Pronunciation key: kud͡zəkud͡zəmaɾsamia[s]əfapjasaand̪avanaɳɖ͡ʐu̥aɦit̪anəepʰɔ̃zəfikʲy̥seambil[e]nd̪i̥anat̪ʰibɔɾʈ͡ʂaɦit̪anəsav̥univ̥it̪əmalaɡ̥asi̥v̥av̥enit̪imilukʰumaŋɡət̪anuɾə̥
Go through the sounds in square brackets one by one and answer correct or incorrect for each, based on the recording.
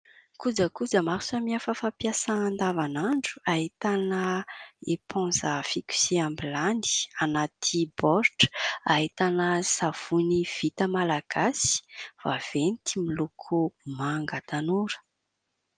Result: incorrect: f, incorrect: a

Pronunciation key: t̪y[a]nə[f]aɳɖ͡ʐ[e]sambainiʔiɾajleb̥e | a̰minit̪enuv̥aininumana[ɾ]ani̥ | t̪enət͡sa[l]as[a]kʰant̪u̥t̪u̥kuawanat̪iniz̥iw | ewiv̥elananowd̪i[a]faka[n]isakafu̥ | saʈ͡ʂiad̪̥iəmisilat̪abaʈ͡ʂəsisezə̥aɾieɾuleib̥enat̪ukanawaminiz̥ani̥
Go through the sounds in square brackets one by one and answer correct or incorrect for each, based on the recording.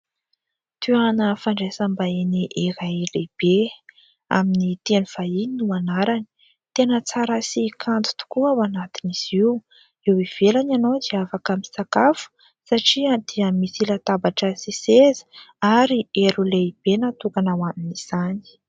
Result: correct, correct, correct, correct, incorrect: ɾ, incorrect: i, correct, incorrect: m

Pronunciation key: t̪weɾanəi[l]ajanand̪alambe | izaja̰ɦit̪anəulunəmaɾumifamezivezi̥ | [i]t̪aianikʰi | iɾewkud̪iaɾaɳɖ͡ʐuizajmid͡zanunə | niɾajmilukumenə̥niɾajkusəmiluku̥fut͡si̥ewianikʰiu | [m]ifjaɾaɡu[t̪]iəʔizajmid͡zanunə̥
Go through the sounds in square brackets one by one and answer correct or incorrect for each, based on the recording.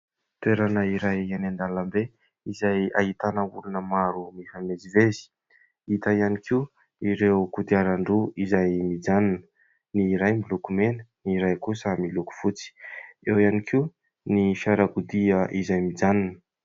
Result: incorrect: ɾ, correct, incorrect: n, incorrect: d̪

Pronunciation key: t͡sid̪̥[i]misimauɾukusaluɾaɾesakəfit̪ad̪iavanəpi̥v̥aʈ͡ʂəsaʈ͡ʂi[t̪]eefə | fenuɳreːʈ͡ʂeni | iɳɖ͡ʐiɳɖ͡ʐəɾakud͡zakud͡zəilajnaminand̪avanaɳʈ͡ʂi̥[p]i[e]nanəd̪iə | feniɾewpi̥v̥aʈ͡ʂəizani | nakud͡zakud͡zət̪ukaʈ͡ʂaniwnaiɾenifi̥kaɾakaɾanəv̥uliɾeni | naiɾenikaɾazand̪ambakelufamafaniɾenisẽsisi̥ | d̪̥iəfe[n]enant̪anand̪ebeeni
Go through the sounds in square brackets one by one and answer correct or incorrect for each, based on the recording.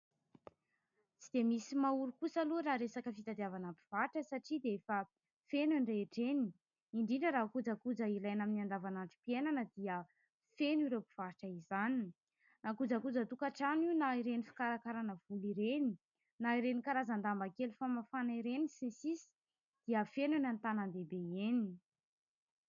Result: incorrect: e, incorrect: d̪, correct, correct, correct

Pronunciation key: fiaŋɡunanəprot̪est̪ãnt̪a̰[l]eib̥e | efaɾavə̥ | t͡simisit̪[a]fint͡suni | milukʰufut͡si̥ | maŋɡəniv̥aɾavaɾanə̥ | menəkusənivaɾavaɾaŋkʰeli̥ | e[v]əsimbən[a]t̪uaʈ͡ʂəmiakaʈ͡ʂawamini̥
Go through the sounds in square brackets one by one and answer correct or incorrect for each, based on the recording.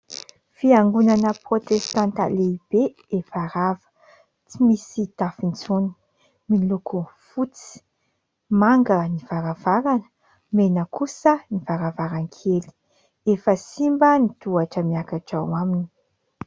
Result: correct, correct, incorrect: f, incorrect: i

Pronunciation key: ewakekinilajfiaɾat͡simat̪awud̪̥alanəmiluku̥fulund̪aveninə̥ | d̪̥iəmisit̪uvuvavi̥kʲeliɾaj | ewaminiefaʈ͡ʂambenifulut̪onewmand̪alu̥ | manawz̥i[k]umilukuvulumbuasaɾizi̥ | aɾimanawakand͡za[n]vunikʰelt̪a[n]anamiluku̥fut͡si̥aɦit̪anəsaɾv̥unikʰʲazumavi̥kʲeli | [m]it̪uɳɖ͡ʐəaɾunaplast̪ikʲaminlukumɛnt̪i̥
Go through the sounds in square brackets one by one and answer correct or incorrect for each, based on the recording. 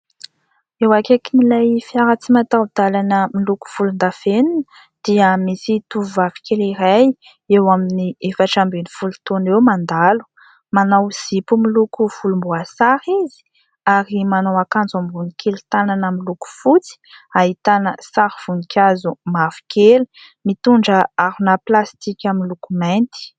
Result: incorrect: p, incorrect: m, correct, correct

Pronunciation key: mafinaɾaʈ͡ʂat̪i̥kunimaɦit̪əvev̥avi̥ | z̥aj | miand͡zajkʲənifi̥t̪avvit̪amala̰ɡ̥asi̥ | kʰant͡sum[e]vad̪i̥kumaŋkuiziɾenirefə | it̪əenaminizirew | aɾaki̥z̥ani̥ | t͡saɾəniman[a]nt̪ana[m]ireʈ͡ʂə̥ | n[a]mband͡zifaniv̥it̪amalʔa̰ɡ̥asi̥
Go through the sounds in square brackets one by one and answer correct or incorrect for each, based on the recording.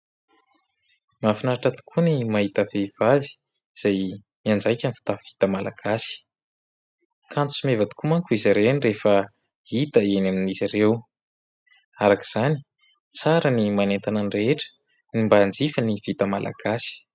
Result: correct, incorrect: e, incorrect: n, incorrect: i

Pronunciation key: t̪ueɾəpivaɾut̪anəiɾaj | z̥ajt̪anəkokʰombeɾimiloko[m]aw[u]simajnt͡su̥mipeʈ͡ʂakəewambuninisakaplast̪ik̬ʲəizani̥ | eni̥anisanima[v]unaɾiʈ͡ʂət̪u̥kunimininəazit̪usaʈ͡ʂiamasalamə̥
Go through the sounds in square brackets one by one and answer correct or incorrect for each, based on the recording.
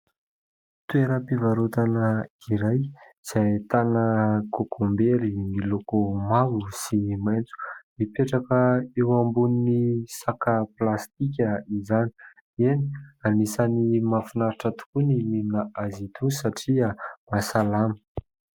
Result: correct, correct, incorrect: f

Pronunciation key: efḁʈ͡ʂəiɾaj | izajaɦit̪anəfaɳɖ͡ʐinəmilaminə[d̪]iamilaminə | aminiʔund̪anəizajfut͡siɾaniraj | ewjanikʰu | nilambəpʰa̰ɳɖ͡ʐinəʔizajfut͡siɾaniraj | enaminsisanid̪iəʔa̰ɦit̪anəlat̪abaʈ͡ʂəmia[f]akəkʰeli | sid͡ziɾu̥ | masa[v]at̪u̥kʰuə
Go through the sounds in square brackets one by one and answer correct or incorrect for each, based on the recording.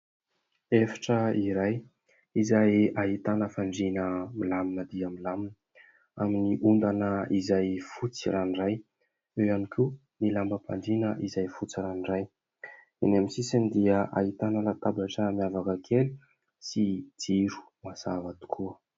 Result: correct, incorrect: v, correct

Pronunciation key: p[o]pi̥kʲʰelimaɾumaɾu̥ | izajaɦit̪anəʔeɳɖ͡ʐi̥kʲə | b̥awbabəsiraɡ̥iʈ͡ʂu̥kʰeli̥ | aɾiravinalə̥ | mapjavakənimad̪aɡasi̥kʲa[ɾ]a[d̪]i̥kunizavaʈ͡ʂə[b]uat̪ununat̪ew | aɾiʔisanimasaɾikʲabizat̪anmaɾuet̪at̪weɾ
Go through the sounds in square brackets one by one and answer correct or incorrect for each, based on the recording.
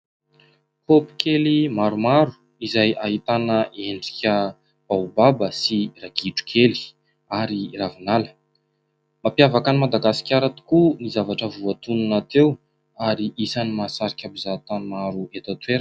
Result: correct, correct, incorrect: t̪, incorrect: v

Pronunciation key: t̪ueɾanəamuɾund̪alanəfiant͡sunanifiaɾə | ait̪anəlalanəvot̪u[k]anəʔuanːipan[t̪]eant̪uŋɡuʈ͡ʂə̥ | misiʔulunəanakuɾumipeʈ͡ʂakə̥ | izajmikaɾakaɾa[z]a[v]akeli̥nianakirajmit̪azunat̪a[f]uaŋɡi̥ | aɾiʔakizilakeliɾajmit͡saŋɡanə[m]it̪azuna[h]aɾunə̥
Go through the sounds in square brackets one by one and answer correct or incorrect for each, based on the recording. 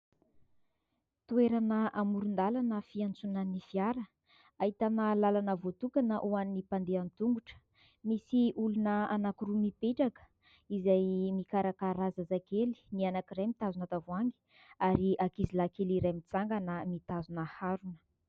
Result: correct, incorrect: d̪, correct, incorrect: z, incorrect: v, correct, correct

